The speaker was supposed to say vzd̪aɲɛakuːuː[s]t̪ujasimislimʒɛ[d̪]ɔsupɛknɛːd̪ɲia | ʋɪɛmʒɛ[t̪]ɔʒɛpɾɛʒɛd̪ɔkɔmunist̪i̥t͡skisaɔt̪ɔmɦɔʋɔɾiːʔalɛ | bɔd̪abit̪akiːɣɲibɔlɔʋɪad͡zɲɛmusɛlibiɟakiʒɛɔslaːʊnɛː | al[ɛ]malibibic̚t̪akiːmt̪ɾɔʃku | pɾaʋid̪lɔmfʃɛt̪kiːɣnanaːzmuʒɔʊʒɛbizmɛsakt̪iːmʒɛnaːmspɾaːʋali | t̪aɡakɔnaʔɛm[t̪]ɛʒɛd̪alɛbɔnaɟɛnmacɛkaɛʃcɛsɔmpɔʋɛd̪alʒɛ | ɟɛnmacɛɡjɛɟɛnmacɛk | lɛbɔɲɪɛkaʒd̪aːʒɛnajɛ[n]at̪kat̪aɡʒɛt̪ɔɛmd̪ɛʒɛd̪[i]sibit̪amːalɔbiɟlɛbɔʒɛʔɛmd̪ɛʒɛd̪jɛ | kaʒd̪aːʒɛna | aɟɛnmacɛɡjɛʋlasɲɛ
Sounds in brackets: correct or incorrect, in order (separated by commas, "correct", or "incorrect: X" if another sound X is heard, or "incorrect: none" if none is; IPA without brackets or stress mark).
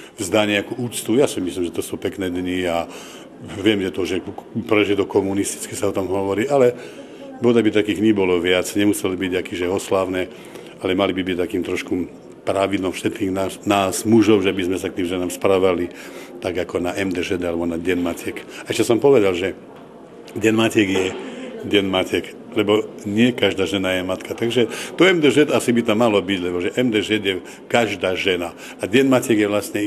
incorrect: t͡s, incorrect: t̪, correct, correct, incorrect: d̪, incorrect: m, incorrect: a